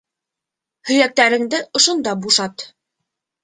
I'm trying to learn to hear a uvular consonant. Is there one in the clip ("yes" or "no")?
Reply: no